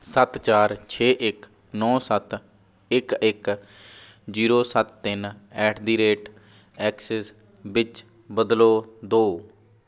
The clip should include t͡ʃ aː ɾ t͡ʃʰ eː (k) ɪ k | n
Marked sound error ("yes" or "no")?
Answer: yes